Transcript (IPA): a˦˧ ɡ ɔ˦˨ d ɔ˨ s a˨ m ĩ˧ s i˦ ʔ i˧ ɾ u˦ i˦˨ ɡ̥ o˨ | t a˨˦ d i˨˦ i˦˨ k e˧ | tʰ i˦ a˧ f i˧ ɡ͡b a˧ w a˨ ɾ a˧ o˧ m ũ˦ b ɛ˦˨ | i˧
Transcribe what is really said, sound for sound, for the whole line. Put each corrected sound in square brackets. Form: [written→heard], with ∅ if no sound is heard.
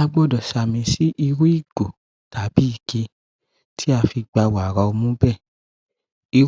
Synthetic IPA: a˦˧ [ɡ→ɡ͡b] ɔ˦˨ d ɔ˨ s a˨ m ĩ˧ s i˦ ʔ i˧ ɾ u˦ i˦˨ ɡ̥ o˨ | t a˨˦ [d→b] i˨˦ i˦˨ k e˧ | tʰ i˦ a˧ f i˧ ɡ͡b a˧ w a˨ ɾ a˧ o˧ m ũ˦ b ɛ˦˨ | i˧